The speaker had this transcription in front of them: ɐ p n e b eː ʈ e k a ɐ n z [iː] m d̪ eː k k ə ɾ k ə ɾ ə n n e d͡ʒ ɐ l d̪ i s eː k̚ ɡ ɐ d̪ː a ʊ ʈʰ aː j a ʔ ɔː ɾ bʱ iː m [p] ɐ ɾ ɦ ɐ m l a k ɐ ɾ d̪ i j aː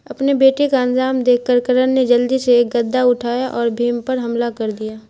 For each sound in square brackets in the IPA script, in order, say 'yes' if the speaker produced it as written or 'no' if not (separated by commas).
no, yes